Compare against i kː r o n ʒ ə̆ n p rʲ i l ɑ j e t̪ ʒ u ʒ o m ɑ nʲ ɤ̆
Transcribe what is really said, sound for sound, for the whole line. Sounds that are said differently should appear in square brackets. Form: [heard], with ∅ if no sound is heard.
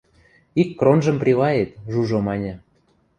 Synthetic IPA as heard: i kː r o n ʒ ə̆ [m] p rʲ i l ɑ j e t̪ ʒ u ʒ o m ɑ nʲ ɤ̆